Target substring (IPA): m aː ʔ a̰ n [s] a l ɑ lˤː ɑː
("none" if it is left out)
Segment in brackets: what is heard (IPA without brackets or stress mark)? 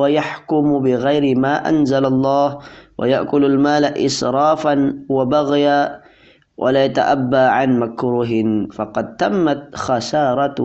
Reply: z